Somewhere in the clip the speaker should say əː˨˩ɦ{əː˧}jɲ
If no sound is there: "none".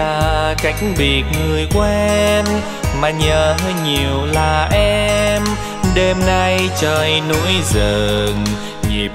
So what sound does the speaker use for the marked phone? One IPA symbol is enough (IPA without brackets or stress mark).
əː˧